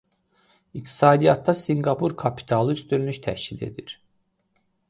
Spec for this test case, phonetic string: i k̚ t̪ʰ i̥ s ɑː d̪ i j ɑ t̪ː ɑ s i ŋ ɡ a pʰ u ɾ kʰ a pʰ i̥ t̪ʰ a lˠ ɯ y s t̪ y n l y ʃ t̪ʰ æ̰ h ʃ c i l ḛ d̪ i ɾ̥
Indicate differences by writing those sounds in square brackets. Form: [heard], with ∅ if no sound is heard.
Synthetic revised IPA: i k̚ t̪ʰ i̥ s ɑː d̪ i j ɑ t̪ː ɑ s i ŋ ɡ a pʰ u ɾ kʰ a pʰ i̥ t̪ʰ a lˠ ɯ y s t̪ y n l y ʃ t̪ʰ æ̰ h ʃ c i l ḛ d̪ i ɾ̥